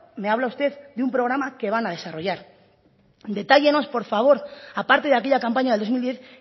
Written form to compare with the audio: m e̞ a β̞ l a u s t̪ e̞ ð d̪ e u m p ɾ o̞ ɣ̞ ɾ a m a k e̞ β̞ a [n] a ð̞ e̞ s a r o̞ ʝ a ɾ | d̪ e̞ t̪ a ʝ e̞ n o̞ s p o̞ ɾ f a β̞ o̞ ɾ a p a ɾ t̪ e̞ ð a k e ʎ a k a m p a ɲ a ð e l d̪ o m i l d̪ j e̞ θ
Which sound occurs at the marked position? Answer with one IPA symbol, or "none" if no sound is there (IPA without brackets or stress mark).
n